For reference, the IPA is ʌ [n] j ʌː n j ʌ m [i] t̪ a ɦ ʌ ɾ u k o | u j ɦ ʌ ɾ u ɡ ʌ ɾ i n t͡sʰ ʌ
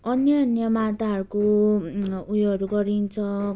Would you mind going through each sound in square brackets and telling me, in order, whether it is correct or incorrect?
correct, incorrect: a

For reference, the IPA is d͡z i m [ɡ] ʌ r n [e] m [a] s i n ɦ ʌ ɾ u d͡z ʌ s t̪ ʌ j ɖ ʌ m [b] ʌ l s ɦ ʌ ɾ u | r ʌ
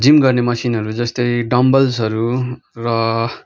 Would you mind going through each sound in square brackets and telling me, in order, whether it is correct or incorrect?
correct, correct, incorrect: ʌ, correct

